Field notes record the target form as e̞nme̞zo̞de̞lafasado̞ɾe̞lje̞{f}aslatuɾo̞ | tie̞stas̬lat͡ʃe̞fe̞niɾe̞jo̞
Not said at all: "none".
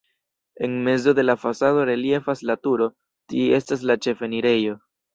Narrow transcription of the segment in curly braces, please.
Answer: f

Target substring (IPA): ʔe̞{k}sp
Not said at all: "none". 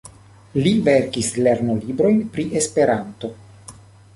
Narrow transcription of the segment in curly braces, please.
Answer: none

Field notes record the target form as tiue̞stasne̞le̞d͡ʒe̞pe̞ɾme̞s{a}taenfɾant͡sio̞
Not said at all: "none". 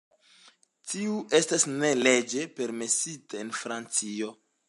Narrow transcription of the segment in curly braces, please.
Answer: i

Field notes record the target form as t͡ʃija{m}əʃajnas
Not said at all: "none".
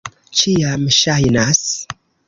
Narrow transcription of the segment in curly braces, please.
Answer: m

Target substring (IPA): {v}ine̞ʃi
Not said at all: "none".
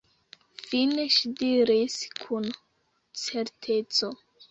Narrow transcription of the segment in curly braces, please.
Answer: f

